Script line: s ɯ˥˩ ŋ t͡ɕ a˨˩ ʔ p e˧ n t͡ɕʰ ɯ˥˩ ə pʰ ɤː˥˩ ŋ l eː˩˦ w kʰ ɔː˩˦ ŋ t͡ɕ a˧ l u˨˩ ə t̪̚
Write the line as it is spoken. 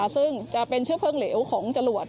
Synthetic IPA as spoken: s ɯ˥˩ ŋ t͡ɕ a˨˩ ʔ p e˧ n t͡ɕʰ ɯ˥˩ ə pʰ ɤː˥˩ ŋ l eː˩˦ w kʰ ɔː˩˦ ŋ t͡ɕ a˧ l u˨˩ ə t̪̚